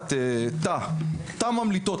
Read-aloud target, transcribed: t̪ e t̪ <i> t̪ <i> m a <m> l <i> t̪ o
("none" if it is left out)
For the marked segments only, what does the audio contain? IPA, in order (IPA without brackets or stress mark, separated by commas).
a, a, m, i